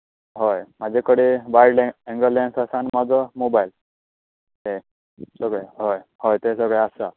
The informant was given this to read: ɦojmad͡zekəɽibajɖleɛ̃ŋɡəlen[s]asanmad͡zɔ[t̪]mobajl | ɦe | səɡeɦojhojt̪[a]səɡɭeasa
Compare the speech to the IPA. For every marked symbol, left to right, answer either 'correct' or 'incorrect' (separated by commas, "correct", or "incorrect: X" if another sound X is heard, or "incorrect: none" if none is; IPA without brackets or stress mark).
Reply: correct, incorrect: none, incorrect: e